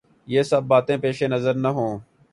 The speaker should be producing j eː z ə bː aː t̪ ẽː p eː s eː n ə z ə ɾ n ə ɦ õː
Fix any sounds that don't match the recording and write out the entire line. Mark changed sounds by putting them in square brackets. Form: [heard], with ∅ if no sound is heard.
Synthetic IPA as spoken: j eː [s] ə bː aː t̪ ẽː p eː [ʃ] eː n ə z ə ɾ n ə ɦ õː